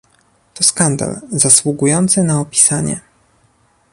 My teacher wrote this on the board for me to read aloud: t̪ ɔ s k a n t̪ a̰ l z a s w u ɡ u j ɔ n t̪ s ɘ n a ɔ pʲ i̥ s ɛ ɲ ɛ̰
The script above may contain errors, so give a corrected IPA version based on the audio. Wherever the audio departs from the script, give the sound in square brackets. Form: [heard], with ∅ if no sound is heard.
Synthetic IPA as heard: t̪ ɔ s k a n [d̪] a̰ l z a s w u ɡ u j ɔ n t̪ s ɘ n a ɔ pʲ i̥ s [a] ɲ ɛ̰